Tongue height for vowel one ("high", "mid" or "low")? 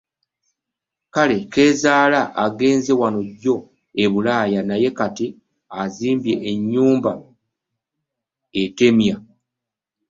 low